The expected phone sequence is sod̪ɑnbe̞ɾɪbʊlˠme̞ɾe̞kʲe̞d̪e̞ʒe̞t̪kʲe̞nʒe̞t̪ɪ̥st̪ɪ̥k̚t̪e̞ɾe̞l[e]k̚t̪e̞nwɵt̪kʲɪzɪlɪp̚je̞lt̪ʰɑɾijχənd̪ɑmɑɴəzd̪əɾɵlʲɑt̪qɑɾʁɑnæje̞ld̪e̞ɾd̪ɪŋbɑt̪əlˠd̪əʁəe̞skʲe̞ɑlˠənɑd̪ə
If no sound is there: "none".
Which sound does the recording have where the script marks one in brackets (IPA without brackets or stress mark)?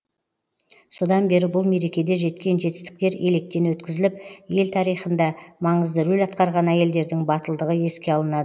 e